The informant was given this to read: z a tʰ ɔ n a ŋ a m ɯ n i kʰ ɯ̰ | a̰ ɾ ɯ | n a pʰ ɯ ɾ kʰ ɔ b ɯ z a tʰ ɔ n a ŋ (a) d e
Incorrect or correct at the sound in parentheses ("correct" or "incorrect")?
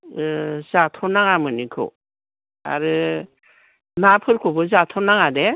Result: correct